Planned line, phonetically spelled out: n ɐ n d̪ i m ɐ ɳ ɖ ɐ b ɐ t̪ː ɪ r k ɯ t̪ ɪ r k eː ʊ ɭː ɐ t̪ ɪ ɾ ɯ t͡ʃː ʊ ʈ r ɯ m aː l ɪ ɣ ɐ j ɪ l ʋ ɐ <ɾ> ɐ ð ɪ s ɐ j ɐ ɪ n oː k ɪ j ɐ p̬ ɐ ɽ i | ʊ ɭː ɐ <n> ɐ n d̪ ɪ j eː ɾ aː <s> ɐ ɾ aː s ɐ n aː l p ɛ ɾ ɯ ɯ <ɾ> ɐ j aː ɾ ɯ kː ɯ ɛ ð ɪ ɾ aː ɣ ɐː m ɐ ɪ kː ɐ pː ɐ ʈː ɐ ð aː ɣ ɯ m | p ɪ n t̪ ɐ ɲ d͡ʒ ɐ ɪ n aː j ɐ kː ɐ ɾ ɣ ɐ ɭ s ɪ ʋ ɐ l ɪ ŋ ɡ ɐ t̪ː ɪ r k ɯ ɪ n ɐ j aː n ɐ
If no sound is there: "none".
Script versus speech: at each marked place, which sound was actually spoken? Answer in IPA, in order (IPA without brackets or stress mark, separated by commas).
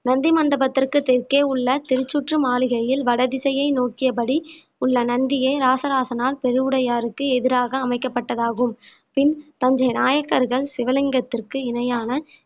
ɽ, n, s, ɽ